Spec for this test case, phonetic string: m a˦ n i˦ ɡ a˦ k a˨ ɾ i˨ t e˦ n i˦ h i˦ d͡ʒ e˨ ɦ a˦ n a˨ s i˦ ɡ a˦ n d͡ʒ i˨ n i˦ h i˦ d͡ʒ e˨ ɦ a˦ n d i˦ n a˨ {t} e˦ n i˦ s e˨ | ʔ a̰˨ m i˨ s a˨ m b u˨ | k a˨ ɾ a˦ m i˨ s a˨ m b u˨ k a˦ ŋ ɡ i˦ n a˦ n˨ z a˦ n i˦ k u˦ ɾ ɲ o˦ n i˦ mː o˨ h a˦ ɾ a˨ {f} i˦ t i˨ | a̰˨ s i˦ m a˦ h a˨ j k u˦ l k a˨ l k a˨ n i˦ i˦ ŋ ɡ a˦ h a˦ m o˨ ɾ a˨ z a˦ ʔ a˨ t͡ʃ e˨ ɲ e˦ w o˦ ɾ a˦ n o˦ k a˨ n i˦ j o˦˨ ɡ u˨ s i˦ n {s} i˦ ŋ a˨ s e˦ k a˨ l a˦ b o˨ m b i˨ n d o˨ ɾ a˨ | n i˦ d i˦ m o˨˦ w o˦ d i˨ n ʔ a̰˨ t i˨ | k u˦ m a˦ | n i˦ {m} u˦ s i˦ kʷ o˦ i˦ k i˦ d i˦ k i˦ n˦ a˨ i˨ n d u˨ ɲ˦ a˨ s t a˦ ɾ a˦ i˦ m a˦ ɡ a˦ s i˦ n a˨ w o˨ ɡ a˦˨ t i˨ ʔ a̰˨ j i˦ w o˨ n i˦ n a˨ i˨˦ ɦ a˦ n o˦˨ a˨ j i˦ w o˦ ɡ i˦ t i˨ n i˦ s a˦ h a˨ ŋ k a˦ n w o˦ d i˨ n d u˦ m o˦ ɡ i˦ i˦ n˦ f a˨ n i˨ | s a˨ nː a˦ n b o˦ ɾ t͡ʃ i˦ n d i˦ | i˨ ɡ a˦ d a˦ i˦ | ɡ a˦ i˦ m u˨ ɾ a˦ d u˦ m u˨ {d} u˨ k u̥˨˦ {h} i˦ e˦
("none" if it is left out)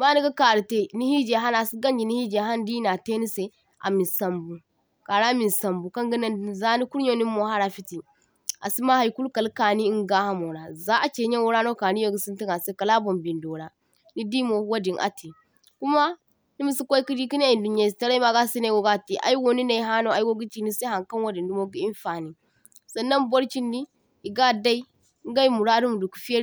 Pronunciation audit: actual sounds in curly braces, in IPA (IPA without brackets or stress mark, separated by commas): t, f, t, m, d, f